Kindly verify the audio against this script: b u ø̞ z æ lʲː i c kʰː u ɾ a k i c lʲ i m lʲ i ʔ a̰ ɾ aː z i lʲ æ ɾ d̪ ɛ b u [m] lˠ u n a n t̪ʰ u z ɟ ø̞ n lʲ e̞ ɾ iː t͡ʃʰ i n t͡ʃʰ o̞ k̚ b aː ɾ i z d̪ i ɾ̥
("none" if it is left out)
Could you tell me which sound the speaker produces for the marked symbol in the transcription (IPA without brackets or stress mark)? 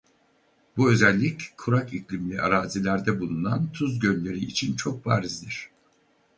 none